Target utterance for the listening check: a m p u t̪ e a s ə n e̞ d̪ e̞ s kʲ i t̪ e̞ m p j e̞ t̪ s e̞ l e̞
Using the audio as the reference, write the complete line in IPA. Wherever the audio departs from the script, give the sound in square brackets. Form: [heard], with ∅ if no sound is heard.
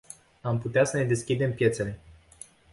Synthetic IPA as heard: a m p u t̪ e a s ə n e̞ d̪ e̞ s kʲ i [d̪] e̞ m p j e̞ t̪ s e̞ l e̞